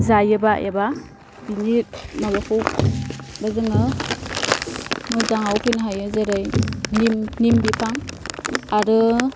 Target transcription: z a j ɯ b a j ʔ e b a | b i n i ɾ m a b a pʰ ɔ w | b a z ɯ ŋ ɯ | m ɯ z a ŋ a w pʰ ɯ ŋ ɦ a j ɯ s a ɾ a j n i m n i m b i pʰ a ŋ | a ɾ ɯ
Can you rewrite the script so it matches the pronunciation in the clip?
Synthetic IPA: z a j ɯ b a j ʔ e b a | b i n i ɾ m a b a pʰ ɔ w | b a z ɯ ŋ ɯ | m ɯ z a ŋ a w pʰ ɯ n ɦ a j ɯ z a ɾ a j n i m n i m b i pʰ a ŋ | a ɾ ɯ